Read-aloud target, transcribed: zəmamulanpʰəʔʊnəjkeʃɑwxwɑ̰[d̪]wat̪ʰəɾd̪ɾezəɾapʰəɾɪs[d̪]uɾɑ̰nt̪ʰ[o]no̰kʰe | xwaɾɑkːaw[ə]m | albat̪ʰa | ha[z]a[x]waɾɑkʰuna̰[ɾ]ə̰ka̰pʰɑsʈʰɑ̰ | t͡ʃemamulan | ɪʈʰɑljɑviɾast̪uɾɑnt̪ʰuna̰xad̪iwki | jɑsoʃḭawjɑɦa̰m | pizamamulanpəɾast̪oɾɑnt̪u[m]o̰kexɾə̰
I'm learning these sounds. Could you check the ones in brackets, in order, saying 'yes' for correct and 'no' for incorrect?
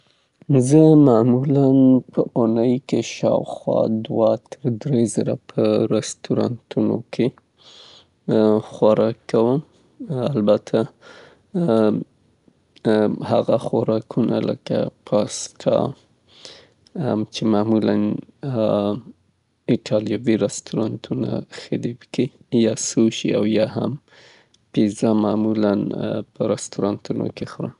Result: yes, no, no, yes, no, yes, no, no

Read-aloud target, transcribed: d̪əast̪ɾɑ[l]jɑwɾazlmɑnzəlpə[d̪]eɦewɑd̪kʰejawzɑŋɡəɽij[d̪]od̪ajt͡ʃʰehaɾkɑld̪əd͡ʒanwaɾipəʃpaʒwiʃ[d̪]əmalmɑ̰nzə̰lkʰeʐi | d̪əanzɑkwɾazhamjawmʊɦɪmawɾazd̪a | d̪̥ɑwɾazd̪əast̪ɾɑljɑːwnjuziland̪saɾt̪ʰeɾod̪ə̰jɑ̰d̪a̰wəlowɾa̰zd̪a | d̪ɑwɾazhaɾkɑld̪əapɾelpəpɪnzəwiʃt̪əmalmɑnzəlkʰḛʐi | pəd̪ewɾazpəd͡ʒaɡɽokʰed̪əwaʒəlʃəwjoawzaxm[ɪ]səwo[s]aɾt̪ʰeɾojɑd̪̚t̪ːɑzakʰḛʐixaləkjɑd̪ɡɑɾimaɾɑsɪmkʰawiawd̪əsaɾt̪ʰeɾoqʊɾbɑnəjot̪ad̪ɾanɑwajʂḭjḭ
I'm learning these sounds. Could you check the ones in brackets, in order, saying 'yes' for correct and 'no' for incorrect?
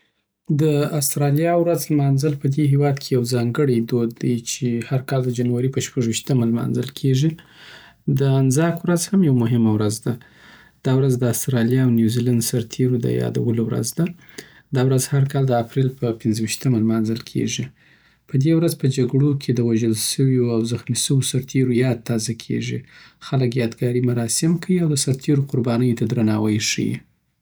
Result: yes, yes, yes, no, no, yes

